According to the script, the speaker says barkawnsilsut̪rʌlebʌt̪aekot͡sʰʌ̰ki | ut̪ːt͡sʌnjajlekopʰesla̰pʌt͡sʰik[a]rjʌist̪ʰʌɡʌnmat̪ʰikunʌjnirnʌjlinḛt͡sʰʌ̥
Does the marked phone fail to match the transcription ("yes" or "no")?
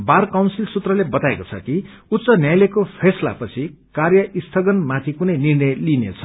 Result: no